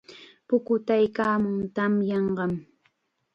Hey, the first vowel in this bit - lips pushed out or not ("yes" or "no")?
yes